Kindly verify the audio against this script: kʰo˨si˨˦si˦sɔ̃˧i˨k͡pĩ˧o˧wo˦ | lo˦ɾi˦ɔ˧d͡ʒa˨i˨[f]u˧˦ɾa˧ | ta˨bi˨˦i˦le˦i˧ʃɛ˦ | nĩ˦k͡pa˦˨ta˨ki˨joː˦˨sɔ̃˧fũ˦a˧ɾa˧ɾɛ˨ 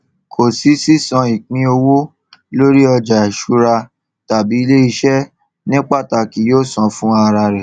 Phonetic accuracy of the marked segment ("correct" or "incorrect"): incorrect